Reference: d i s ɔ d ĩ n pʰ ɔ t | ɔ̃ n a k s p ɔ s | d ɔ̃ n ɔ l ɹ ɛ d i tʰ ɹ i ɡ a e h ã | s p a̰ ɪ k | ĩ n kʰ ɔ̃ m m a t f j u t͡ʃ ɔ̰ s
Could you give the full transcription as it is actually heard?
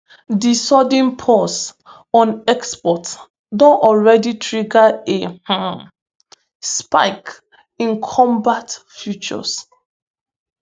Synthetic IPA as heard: d i s ɔ d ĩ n pʰ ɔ s | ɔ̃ n ɛ k s p ɔ t | d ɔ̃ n ɔ l ɹ ɛ d i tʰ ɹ i ɡ a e h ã | s p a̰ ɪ k | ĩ n kʰ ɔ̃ m b a t f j u t͡ʃ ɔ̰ s